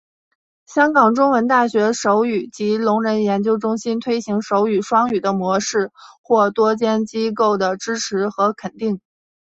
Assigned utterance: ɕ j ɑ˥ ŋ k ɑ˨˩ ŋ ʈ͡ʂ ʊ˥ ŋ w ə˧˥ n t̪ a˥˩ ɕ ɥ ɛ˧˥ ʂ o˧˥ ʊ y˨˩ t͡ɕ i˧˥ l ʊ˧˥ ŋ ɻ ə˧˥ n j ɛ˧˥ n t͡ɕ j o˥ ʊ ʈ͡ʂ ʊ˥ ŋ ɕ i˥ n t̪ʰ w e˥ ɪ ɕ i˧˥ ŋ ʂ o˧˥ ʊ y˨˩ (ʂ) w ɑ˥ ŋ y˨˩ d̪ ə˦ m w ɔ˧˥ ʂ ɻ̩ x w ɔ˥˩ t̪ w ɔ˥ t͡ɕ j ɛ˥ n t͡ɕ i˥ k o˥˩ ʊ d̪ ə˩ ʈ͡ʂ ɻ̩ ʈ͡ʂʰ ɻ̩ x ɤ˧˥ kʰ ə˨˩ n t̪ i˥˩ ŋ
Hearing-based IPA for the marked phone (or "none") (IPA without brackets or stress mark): ʂ